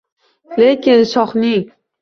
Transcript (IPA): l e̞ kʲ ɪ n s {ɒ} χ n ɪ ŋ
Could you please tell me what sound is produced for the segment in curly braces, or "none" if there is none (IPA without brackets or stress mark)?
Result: ɒ